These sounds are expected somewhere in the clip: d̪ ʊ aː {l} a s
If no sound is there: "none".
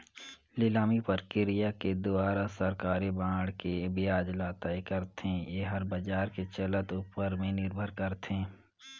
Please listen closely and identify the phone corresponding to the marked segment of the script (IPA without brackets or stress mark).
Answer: ɾ